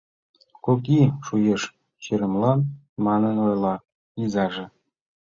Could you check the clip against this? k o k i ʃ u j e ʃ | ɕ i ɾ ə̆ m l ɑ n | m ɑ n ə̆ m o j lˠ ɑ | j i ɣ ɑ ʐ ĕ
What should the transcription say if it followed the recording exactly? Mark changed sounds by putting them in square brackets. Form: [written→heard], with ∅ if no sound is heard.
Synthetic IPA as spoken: k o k i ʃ u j e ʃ | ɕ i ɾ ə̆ m l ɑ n | m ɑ n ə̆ [m→n] o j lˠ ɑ | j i [ɣ→z] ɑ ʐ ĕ